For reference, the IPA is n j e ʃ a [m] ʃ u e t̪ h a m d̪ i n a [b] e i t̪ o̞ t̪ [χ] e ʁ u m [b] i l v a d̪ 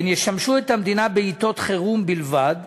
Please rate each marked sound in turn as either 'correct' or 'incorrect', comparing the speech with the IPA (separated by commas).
correct, correct, correct, correct